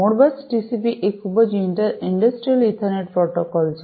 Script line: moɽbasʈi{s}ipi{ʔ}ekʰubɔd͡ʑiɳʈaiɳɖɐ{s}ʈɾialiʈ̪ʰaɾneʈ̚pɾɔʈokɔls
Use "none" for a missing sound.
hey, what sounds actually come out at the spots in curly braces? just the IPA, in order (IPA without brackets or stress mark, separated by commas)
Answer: s, ʔ, s